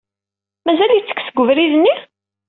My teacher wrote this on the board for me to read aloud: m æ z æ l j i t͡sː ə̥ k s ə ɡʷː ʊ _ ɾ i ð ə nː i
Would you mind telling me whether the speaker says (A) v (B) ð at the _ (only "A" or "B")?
A